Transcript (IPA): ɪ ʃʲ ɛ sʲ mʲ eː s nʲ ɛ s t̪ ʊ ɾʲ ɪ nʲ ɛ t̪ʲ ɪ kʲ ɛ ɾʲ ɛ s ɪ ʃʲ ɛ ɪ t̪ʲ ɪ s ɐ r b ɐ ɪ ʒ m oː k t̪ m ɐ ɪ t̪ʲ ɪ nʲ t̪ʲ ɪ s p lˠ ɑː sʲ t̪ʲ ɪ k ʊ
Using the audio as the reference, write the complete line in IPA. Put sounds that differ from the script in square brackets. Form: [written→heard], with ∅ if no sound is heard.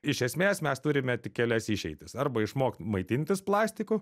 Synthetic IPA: ɪ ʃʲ ɛ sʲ mʲ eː s [nʲ→mʲ] ɛ s t̪ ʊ ɾʲ ɪ [nʲ→mʲ] ɛ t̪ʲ ɪ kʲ ɛ [ɾʲ→lʲ] ɛ s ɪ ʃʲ ɛ ɪ t̪ʲ ɪ s ɐ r b ɐ ɪ [ʒ→ʃ] m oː k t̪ m ɐ ɪ t̪ʲ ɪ nʲ t̪ʲ ɪ s p lˠ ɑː sʲ t̪ʲ ɪ k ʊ